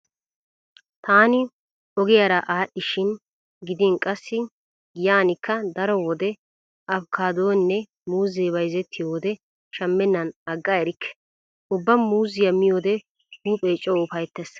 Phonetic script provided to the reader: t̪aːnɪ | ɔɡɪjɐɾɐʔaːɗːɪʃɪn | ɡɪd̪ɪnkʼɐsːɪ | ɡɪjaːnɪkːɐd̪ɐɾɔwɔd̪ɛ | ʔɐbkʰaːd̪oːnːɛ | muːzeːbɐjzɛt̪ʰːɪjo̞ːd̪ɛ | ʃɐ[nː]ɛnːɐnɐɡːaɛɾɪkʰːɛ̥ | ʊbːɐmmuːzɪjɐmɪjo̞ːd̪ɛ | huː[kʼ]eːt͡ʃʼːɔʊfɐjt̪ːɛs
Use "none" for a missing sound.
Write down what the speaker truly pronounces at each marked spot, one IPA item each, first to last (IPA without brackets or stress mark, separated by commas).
mː, pʼ